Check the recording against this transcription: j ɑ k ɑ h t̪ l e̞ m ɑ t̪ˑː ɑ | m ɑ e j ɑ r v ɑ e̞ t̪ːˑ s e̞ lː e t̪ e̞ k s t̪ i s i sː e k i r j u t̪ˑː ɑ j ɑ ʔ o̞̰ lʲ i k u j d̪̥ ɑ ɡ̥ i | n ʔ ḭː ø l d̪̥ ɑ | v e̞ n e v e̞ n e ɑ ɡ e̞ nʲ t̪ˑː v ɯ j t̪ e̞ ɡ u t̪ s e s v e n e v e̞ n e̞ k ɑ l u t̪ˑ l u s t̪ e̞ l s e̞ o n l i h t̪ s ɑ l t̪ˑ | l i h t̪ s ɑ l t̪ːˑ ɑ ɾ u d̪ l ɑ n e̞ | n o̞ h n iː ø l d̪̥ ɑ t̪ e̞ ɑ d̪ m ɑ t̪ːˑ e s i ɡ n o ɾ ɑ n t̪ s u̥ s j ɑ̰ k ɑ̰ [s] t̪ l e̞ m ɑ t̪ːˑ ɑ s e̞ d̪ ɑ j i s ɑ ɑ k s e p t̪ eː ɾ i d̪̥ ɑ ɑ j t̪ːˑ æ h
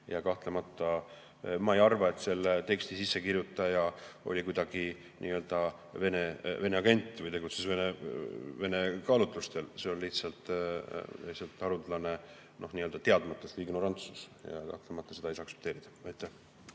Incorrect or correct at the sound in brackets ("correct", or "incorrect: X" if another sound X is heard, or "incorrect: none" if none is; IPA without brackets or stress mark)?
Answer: incorrect: h